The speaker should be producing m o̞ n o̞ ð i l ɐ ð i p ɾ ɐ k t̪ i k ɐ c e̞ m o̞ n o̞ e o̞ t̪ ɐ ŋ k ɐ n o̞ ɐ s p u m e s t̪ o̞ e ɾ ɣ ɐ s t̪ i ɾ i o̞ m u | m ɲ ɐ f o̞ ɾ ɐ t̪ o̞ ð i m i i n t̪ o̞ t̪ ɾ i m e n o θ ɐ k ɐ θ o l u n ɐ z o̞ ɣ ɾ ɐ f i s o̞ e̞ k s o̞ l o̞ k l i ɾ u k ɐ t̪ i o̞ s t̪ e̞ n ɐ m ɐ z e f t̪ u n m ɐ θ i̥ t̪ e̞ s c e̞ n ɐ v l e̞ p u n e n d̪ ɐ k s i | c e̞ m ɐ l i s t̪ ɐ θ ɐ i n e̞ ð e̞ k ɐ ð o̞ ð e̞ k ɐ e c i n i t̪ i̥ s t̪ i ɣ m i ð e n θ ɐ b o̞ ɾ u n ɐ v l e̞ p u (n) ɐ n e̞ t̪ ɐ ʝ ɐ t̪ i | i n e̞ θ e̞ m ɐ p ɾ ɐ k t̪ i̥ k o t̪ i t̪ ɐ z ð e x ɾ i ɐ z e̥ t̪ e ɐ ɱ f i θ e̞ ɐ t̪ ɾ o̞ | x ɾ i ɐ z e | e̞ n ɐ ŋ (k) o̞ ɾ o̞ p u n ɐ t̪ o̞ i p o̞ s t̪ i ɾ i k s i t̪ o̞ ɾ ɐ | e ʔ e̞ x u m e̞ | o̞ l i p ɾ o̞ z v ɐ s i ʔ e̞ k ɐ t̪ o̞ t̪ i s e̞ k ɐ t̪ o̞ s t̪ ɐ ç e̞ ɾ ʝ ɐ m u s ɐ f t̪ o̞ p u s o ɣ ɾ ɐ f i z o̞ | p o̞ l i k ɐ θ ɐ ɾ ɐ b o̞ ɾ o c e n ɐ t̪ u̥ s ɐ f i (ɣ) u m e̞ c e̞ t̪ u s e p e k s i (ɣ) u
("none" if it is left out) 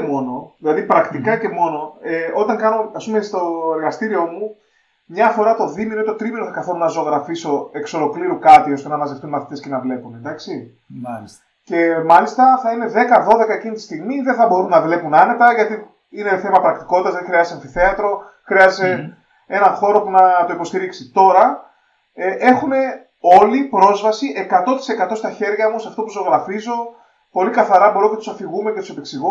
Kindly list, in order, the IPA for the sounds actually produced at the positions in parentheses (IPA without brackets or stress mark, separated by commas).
n, x, ɣ, ɣ